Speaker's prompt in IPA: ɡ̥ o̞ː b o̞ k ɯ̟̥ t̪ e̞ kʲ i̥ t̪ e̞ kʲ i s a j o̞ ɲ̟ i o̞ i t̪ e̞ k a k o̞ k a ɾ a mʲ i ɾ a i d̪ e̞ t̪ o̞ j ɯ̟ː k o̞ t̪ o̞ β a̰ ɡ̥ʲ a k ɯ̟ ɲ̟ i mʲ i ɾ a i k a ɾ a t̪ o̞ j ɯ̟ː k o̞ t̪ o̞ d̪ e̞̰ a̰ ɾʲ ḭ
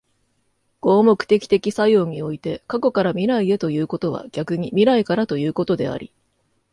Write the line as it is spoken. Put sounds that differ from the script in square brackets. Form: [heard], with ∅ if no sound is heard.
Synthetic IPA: ɡ̥ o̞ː [m] o̞ k ɯ̟̥ t̪ e̞ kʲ i̥ t̪ e̞ kʲ i s a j o̞ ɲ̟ i o̞ i t̪ e̞ k a k o̞ k a ɾ a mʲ i ɾ a i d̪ e̞ t̪ o̞ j ɯ̟ː k o̞ t̪ o̞ β a̰ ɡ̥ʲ a k ɯ̟ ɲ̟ i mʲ i ɾ a i k a ɾ a t̪ o̞ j ɯ̟ː k o̞ t̪ o̞ d̪ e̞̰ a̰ ɾʲ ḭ